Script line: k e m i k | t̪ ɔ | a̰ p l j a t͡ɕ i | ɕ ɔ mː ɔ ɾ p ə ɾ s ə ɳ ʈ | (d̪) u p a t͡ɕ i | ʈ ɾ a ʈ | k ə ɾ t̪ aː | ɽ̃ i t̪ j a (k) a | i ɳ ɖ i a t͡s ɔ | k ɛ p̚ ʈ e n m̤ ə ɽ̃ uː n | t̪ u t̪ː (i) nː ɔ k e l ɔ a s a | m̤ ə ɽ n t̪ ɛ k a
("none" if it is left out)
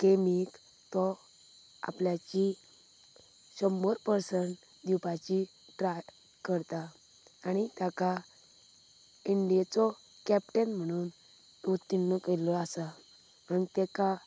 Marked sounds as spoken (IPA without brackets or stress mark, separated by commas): d̪, k, i